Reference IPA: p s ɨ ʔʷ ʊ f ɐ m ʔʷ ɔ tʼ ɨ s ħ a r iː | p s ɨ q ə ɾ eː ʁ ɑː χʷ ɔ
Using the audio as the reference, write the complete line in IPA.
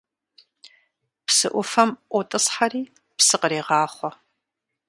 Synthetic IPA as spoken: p s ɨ ʔʷ ʊ f ɐ m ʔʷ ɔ tʼ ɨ s ħ a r iː | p s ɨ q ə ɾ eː ʁ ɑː χʷ ɔ